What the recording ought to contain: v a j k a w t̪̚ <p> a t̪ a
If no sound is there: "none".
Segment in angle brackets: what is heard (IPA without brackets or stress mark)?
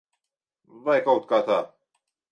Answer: k